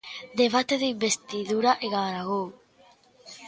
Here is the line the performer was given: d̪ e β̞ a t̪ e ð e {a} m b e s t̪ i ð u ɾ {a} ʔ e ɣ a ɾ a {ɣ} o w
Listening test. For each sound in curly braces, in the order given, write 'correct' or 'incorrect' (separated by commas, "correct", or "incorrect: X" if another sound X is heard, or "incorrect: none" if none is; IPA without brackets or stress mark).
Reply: incorrect: i, correct, correct